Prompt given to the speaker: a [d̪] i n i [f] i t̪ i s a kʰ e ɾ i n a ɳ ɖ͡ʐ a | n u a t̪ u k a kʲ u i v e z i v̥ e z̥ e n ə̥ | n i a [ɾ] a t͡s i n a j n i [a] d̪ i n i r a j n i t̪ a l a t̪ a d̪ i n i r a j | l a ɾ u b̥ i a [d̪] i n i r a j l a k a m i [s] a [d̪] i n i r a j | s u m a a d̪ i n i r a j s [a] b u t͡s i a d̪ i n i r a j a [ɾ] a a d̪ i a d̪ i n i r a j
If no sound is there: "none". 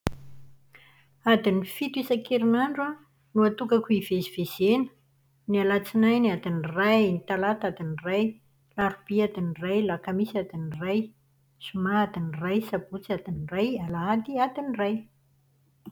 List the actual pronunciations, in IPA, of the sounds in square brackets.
d̪, f, l, a, d̪, s, d̪, a, l

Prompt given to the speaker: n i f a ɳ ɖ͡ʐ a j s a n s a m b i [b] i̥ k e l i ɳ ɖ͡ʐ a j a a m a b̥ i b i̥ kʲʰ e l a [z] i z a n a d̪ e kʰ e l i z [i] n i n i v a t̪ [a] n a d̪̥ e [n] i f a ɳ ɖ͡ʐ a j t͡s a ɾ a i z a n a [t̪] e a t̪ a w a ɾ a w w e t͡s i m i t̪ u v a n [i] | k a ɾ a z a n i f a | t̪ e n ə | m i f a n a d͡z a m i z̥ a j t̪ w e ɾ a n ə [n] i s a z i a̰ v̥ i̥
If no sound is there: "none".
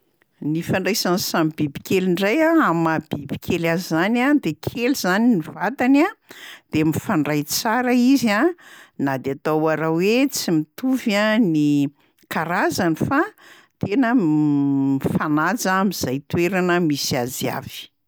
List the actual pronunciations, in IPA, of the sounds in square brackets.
b, z, a, a, m, d̪, i, m

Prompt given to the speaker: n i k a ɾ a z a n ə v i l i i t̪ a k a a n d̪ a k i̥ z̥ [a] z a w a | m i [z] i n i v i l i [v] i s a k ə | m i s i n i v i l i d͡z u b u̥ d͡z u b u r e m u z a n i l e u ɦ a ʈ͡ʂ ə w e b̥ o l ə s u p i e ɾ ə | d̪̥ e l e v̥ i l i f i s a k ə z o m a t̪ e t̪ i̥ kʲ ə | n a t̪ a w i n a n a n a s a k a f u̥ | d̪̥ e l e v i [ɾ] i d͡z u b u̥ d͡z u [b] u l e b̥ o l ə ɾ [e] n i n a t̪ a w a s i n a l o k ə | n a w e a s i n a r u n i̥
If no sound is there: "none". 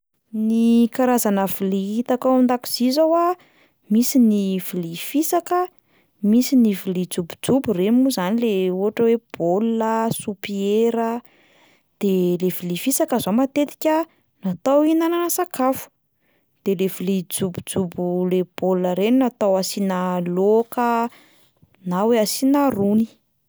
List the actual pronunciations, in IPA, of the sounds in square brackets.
i, s, f, l, b, e

